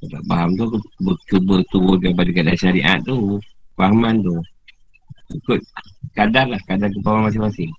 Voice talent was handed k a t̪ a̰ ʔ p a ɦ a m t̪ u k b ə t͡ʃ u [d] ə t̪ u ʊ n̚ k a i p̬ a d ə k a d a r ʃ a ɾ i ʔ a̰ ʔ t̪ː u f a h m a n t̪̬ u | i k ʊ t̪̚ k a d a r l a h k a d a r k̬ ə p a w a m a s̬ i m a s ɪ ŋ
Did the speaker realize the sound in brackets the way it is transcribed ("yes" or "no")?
no